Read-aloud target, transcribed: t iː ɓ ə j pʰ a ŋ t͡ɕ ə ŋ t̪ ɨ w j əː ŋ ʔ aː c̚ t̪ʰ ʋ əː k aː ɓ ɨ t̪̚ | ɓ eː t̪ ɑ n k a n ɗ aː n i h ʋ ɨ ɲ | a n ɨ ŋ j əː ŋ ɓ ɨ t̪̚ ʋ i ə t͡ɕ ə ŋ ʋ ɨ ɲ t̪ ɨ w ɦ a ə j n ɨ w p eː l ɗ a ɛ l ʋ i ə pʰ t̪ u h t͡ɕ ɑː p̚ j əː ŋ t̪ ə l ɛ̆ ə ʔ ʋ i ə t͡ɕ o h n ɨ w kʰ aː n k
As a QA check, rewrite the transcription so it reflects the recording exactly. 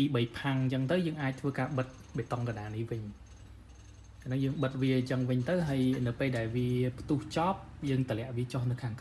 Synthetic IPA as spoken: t iː ɓ ə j pʰ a ŋ t͡ɕ ə ŋ t̪ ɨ w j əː ŋ ʔ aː c̚ t̪ʰ ʋ əː k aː ɓ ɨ t̪̚ | ɓ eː t̪ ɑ ŋ k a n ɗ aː n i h ʋ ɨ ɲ | a n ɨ ŋ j əː ŋ ɓ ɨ t̪̚ ʋ i ə t͡ɕ ə ŋ ʋ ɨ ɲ t̪ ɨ w ɦ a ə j n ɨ w p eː l ɗ a ɛ l ʋ i ə pʰ t̪ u h t͡ɕ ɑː p̚ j əː ŋ t̪ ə l ɛ̆ ə ʔ ʋ i ə t͡ɕ o h n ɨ w kʰ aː ŋ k